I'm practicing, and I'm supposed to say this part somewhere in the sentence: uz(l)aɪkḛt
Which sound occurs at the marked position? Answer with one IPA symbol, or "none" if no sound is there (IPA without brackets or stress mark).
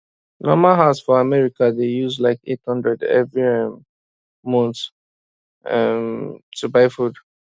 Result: l